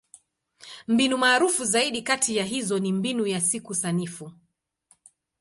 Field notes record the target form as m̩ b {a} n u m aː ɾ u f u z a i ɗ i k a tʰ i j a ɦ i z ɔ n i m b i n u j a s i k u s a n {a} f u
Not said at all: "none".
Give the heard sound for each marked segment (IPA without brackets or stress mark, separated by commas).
i, i